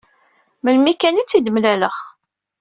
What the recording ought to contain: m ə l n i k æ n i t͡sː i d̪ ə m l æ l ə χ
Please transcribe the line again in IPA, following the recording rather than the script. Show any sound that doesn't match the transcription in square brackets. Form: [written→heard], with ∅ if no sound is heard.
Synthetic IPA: m ə l [n→m] i k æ n i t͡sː i d̪ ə m l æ l ə χ

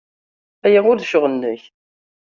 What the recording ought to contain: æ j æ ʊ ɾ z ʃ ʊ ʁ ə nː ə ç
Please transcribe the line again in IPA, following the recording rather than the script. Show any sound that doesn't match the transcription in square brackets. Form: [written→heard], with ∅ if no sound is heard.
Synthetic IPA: æ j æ ʊ ɾ [z→ð] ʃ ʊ ʁ ə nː ə ç

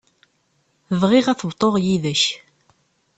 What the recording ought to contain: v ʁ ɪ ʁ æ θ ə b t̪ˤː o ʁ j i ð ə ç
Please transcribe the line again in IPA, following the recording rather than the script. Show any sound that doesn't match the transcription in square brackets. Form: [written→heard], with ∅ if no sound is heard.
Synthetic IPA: v ʁ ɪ ʁ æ θ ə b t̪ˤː o ʁ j i ð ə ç

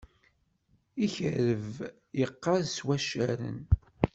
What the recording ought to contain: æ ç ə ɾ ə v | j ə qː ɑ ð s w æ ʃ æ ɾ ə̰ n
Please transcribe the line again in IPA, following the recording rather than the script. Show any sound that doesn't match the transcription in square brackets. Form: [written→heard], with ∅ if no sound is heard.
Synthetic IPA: [æ→i] ç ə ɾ ə v | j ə qː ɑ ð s w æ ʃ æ ɾ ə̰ n

